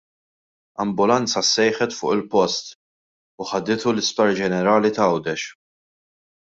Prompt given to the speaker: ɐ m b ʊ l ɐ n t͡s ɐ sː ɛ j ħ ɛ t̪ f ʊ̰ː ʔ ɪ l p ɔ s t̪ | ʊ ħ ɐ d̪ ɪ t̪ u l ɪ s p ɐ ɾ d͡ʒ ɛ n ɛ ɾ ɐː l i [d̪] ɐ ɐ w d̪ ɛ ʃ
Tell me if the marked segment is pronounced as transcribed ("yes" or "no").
no